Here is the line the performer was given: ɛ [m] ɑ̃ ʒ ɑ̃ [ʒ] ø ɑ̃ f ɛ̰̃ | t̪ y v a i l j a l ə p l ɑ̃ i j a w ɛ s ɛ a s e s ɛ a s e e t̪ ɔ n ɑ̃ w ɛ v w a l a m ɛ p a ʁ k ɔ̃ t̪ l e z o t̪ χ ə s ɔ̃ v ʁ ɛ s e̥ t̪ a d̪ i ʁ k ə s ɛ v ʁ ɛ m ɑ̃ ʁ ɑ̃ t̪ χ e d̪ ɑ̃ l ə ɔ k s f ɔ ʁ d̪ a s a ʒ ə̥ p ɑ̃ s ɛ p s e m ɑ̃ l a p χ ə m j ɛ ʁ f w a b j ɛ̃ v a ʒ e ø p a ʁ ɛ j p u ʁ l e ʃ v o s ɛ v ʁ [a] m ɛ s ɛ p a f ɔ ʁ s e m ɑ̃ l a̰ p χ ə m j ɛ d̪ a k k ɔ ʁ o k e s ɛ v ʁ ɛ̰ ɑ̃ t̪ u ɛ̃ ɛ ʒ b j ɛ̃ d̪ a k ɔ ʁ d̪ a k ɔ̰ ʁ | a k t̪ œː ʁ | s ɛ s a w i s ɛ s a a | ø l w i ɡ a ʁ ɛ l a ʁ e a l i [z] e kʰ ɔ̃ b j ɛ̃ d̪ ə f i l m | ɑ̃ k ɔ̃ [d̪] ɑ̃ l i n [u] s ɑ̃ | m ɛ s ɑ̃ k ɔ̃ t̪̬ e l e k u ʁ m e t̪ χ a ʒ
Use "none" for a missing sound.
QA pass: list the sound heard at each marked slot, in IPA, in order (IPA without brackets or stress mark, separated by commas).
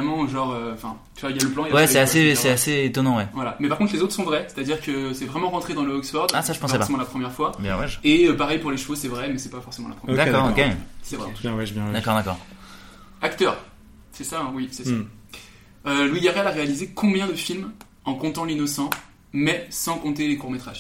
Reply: m, ʁ, ɛ, z, t̪, ɔ